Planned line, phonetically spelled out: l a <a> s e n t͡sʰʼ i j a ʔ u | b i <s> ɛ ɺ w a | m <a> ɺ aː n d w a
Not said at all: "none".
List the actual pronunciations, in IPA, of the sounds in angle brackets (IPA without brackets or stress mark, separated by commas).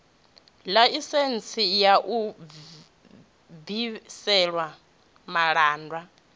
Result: i, s, a